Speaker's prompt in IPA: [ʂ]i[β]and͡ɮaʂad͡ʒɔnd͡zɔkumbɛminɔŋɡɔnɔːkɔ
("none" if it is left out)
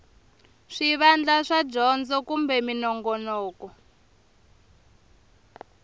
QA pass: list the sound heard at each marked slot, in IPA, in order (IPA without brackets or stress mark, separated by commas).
ʂ, β